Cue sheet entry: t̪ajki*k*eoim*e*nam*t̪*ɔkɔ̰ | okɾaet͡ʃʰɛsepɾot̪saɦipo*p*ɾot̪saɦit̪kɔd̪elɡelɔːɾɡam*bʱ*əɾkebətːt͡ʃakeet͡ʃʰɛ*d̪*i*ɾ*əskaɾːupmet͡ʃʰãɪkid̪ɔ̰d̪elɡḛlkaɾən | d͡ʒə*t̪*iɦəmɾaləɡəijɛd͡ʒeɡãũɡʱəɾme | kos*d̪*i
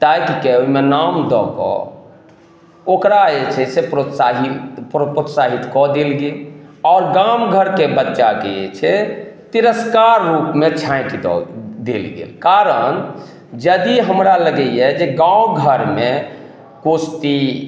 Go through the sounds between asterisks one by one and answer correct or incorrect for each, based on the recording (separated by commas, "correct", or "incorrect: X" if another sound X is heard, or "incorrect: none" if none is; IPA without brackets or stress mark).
correct, correct, incorrect: d̪, correct, incorrect: ɡʱ, incorrect: t̪, correct, incorrect: d̪, incorrect: t̪